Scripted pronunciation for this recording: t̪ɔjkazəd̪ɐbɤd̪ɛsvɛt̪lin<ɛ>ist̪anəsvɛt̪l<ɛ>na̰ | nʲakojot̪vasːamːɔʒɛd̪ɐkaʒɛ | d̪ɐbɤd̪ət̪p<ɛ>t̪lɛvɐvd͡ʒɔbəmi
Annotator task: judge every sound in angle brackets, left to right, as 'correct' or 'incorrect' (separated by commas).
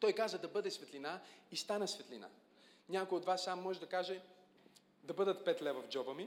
incorrect, incorrect, correct